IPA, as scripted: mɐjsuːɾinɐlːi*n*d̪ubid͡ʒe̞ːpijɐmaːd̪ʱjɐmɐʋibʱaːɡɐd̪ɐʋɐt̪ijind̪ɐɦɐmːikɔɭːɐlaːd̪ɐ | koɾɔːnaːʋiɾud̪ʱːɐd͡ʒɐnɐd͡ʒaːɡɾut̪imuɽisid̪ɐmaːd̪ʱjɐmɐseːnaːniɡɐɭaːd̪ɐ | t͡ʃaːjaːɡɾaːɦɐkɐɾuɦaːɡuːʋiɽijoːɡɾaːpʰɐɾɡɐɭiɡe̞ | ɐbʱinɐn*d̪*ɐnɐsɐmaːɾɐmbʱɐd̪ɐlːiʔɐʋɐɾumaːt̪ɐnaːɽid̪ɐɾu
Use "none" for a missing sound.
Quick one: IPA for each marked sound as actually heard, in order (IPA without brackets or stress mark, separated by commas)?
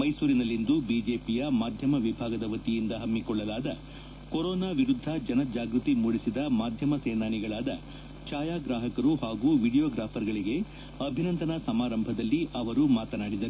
n, t̪